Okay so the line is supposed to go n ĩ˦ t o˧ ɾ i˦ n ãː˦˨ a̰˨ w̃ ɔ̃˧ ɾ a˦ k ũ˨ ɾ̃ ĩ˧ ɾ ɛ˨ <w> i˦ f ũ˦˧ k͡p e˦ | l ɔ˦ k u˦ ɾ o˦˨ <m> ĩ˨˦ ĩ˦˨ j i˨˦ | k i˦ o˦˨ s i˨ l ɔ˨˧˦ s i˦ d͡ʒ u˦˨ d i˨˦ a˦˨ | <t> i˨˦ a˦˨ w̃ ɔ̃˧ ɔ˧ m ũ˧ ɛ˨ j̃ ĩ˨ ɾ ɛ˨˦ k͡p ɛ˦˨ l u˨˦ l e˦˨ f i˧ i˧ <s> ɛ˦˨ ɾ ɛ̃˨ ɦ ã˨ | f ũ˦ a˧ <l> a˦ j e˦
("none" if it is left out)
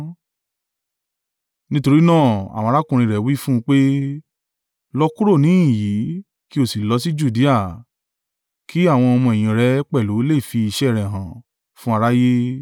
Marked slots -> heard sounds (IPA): w, n, k, ʃ, ɾ

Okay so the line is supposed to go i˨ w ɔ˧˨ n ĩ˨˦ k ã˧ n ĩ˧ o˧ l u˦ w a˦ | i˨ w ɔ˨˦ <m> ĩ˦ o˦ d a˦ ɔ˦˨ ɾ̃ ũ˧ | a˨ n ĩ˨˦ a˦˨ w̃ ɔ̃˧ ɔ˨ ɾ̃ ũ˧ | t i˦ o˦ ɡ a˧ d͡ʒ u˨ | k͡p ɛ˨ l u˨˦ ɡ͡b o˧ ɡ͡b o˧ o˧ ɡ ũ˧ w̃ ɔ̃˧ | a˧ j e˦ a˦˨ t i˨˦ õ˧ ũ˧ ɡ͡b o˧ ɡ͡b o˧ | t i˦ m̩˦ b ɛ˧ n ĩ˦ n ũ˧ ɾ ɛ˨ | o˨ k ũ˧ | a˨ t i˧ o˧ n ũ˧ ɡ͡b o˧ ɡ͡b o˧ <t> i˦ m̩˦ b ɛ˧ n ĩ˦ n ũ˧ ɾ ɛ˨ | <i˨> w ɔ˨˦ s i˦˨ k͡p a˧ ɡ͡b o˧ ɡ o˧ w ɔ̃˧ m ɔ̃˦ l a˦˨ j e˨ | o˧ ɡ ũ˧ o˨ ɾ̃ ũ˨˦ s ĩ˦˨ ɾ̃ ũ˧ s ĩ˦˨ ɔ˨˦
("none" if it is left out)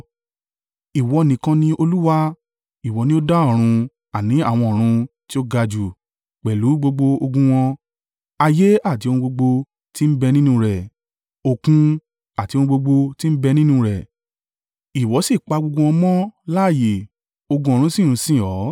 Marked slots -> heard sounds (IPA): n, t, i˨

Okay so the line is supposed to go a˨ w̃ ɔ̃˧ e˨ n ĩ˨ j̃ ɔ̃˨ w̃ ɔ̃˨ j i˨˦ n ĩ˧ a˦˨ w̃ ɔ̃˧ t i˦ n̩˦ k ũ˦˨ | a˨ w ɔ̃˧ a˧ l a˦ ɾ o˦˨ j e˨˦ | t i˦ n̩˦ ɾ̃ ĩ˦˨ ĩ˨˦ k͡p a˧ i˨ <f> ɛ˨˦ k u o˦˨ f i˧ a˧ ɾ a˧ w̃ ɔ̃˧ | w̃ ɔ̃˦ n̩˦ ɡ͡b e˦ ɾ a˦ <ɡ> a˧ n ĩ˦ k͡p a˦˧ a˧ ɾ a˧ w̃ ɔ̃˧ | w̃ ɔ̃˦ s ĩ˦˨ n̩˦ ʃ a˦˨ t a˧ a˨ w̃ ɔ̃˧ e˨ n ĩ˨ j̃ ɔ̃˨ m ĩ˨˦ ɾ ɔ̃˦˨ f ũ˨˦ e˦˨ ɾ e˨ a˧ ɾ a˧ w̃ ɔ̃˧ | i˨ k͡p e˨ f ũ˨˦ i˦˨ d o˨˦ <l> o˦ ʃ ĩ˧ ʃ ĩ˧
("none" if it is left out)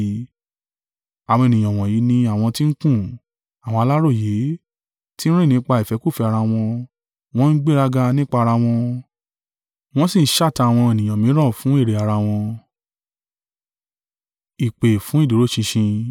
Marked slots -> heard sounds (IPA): f, ɡ, ɾ

